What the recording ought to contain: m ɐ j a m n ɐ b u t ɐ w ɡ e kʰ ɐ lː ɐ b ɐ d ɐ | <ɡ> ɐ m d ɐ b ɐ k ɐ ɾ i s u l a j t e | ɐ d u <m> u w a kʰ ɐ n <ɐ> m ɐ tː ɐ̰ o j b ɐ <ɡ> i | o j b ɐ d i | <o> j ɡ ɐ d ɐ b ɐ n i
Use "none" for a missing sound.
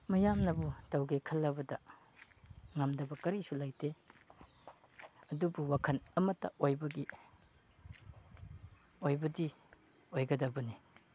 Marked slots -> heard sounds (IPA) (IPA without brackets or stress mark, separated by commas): ŋ, b, ɐ, ɡ, o